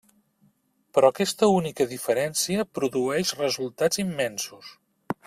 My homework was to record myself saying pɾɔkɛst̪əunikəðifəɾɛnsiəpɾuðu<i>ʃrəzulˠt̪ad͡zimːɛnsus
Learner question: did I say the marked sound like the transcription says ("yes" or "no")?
no